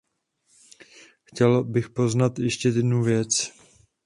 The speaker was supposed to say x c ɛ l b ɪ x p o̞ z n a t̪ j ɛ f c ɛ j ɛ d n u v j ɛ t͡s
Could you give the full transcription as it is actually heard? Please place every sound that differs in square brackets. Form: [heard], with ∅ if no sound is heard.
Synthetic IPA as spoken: x c ɛ l b ɪ x p o̞ z n a t̪ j ɛ [ʃ] c ɛ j ɛ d n u v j ɛ t͡s